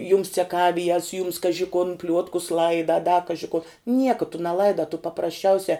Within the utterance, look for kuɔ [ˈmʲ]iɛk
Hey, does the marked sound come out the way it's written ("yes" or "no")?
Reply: no